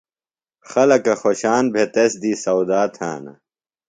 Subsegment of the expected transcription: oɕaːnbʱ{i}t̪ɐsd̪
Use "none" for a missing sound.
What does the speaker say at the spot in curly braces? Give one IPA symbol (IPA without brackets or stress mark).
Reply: e